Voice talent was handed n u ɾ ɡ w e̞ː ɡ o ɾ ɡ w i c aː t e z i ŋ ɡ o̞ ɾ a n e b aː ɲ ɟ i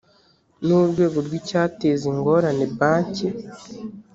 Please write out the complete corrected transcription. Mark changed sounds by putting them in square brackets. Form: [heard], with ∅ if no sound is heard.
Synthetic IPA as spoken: n u ɾ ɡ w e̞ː ɡ o ɾ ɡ w i c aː t e z i ŋ ɡ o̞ ɾ a n e b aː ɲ [c] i

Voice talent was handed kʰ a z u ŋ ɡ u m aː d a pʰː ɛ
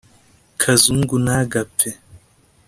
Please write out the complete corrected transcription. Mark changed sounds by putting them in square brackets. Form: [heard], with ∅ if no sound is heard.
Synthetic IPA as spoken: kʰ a z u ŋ ɡ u [n] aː [ɡ] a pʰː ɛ

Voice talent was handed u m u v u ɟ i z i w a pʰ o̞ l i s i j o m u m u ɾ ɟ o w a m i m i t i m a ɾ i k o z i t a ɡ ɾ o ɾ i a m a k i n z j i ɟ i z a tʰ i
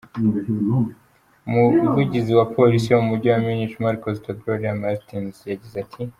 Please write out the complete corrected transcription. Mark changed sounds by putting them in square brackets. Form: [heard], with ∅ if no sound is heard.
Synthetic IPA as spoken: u m u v u ɟ i z i w a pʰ o̞ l i s i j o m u m u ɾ ɟ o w a m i [n] i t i m a ɾ i k o z i t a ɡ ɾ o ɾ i a m a [t] i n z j [a] ɟ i z a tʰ i

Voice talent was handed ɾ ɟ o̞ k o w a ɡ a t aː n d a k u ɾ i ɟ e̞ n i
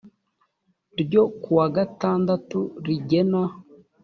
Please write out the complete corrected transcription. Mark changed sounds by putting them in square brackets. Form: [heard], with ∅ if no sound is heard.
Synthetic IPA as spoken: ɾ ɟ o̞ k [u] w a ɡ a t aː n d a [t] u ɾ i ɟ e̞ n [a]

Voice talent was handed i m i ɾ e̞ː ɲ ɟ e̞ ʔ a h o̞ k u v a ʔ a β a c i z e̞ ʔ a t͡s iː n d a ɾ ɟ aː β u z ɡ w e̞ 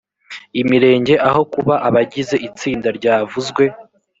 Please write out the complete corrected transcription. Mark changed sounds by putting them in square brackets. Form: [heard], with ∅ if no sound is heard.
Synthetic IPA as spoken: i m i ɾ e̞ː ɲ ɟ e̞ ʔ a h o̞ k u [β] a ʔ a β a [ɟ] i z e̞ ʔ [i] t͡s iː n d a ɾ ɟ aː [v] u z ɡ w e̞

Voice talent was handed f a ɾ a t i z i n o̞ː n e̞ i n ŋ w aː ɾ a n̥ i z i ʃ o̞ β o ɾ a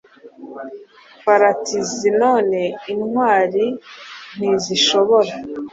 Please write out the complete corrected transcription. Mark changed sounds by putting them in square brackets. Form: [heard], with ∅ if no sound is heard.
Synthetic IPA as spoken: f a ɾ a t i z i n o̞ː n e̞ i n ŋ w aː ɾ [i] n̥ i z i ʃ o̞ β o ɾ a

